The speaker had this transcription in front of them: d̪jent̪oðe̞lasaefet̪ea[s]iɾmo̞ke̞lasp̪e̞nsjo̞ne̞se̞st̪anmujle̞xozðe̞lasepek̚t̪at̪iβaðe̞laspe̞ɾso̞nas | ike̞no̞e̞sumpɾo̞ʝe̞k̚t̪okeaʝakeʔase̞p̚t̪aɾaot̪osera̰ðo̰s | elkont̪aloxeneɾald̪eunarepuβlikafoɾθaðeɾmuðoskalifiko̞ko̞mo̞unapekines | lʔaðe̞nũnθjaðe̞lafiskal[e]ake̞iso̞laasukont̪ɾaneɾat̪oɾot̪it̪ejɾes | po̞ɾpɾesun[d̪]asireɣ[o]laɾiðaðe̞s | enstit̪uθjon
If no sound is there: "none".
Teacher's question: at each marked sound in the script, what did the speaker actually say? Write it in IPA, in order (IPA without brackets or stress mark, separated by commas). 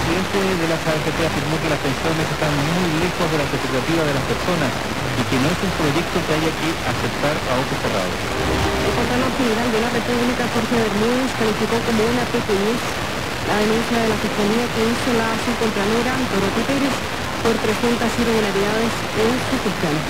f, i, t̪, u